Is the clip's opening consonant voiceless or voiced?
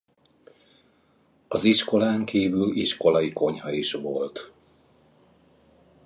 voiced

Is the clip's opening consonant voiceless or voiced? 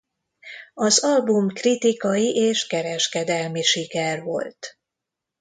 voiced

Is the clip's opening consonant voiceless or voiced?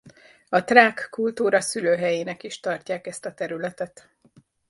voiceless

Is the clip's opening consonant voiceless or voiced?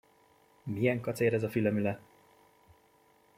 voiced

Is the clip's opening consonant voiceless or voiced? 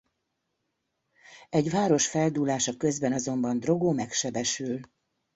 voiced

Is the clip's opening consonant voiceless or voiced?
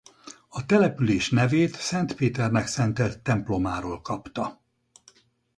voiceless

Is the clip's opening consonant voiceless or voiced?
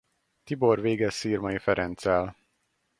voiceless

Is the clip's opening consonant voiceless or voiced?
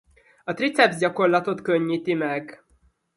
voiceless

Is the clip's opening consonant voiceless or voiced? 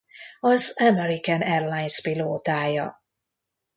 voiced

